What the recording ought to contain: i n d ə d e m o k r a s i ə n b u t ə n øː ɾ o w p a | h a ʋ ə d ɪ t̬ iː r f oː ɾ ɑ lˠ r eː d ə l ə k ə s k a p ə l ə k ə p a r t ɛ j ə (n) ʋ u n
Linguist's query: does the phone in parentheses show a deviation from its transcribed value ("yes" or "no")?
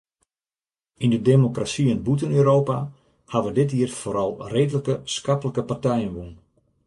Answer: no